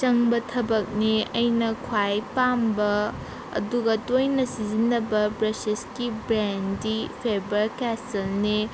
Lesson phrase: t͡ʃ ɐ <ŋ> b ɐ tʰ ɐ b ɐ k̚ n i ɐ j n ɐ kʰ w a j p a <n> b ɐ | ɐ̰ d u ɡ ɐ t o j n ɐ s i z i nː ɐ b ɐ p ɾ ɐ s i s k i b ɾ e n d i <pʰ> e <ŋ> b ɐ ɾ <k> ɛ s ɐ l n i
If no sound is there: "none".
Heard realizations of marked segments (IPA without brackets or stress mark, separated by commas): ŋ, m, pʰ, none, k